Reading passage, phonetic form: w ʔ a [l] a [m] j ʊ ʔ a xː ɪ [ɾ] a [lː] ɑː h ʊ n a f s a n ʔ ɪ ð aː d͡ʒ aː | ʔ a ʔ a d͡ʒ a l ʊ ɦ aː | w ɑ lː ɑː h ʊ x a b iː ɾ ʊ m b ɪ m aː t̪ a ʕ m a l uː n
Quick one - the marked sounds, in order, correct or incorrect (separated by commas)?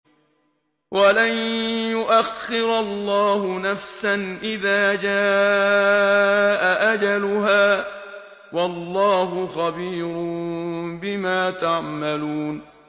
correct, incorrect, correct, correct